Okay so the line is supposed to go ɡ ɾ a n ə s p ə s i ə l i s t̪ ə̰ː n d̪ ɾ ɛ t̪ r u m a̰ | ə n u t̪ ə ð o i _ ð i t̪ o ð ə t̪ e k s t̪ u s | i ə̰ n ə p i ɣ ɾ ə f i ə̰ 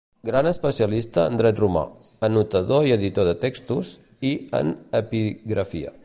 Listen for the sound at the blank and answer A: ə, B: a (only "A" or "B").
A